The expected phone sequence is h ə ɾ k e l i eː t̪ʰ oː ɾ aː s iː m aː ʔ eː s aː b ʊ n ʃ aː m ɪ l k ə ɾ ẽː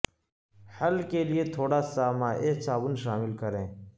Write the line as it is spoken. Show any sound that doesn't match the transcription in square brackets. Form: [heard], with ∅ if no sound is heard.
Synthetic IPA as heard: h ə [l] k e l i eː t̪ʰ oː [ɽ] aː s [aː] m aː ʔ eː s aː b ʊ n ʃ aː m ɪ l k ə ɾ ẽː